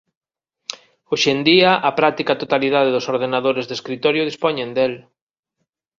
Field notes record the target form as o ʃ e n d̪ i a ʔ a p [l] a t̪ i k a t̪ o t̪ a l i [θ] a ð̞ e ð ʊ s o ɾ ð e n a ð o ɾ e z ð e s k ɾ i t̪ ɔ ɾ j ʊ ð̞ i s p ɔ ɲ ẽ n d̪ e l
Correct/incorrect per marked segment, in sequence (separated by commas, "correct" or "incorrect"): incorrect, incorrect